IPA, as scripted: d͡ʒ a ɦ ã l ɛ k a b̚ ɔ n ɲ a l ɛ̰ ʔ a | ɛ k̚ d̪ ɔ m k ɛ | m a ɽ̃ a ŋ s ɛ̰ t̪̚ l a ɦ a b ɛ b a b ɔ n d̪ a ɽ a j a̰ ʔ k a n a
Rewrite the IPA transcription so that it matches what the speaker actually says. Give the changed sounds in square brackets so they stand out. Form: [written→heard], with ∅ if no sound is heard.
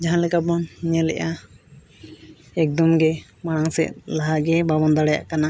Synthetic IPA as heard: d͡ʒ a ɦ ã l ɛ k a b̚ ɔ n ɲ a l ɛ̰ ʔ a | ɛ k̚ d̪ ɔ m [k→ɡ] ɛ | m a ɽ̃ a ŋ s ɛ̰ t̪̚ l a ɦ a [b→ɡ] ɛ b a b ɔ n d̪ a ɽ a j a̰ ʔ k a n a

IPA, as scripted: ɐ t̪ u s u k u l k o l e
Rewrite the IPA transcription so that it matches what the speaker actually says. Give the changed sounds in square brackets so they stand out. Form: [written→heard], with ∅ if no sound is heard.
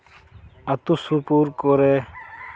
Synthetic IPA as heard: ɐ t̪ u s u [k→p] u [l→ɾ] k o [l→ɾ] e

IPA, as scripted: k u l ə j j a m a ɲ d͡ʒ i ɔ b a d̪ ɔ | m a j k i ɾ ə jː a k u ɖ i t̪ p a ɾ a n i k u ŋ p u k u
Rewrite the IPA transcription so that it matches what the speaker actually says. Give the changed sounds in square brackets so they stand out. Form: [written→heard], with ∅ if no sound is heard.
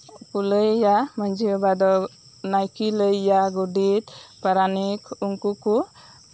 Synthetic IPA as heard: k u l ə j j a m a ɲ d͡ʒ i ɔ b a d̪ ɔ | [m→n] a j k i [ɾ→l] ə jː a [k→ɡ] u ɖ i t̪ p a ɾ a n i k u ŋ [p→k] u k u

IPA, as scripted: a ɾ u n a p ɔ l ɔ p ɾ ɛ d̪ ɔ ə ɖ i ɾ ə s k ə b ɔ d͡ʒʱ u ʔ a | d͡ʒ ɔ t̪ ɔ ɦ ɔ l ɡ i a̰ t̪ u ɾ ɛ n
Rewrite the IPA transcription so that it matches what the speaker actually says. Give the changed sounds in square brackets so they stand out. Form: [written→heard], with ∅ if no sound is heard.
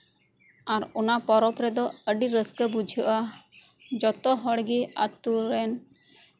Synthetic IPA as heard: a ɾ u n a p ɔ [l→ɾ] ɔ p ɾ ɛ d̪ ɔ ə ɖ i ɾ ə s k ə b [ɔ→u] d͡ʒʱ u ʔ a | d͡ʒ ɔ t̪ ɔ ɦ ɔ [l→ɽ] ɡ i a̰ t̪ u ɾ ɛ n

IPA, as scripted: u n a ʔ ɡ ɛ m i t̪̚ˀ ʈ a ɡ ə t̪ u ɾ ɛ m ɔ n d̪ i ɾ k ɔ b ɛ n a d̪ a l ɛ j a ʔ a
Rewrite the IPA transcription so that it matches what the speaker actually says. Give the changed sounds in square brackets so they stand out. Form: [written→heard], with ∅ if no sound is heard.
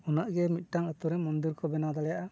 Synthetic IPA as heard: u n a ʔ ɡ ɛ m i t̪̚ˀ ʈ a [ɡ→ŋ] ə t̪ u ɾ ɛ m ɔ n d̪ i ɾ k ɔ b ɛ n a d̪ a l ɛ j a ʔ a

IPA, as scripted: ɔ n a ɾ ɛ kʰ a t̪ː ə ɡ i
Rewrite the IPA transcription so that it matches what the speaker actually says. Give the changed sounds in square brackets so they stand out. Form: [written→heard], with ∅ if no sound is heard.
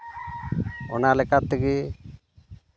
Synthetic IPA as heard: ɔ n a [ɾ→l] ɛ [kʰ→k] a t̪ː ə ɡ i

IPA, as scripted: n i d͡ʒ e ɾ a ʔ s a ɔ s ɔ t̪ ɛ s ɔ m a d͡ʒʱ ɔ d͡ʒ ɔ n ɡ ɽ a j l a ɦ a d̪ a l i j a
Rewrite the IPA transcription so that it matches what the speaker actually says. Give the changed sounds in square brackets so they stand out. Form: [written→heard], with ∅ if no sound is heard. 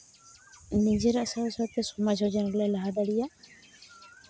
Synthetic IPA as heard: n i d͡ʒ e ɾ a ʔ s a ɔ s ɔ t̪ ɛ s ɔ m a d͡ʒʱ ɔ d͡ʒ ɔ n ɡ [ɽ→l] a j l a ɦ a d̪ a [l→ɽ] i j a

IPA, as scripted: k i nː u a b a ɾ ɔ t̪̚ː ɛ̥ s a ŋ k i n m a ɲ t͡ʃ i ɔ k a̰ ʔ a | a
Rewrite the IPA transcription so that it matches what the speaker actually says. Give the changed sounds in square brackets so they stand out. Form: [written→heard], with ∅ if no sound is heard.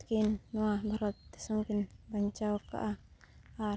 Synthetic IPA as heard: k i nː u a b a ɾ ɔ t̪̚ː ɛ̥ s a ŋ k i n [m→b] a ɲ t͡ʃ [i→a] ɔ k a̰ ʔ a | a

